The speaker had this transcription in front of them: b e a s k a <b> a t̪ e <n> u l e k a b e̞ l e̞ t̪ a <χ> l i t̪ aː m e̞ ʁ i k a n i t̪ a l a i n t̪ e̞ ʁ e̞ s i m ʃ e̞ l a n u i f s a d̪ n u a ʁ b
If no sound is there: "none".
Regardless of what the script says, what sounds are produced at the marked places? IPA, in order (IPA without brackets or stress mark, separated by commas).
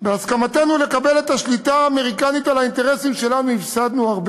m, n, ʃ